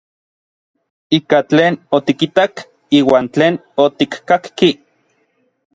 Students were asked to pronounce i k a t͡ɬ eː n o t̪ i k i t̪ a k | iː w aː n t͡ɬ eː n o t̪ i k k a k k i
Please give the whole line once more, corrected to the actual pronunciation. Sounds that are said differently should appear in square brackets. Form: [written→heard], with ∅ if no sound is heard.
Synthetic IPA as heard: i k a t͡ɬ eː n o t̪ i k i t̪ a k | iː w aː n t͡ɬ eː n o t̪ i k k a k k i